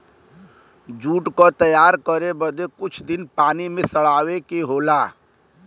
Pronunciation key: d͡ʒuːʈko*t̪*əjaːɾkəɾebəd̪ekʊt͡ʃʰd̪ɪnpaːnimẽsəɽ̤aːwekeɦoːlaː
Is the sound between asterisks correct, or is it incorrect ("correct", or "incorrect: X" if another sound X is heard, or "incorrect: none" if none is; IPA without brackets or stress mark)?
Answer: correct